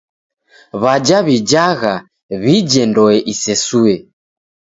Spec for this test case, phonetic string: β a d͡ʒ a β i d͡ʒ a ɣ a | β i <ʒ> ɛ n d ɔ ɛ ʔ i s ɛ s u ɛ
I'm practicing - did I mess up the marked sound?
yes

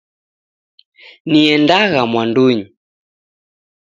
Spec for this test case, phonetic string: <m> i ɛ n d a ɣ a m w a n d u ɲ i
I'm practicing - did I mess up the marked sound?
yes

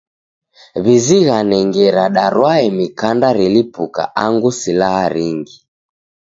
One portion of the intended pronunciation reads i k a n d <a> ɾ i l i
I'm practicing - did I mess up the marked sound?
no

